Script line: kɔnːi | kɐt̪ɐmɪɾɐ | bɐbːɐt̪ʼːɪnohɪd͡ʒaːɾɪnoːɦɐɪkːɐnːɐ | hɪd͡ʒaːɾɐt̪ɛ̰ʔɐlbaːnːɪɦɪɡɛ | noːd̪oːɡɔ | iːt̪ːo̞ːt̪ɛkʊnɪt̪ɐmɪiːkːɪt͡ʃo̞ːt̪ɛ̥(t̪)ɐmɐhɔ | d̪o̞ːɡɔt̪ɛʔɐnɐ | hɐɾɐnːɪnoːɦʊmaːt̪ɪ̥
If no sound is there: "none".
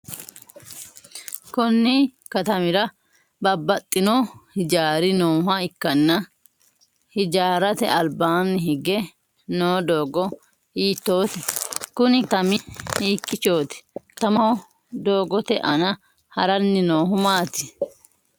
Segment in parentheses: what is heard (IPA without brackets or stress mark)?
t̪